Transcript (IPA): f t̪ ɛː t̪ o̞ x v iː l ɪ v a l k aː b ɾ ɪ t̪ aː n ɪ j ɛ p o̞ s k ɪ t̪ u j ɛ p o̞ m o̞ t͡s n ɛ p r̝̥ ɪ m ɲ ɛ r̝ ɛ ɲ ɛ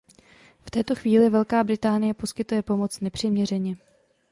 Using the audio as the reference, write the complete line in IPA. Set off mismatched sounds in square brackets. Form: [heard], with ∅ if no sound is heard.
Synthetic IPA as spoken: f t̪ ɛː t̪ o̞ x v iː l ɪ v [ɛ] l k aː b ɾ ɪ t̪ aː n ɪ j ɛ p o̞ s k ɪ t̪ u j ɛ p o̞ m o̞ t͡s n ɛ p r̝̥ ɪ m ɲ ɛ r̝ ɛ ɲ ɛ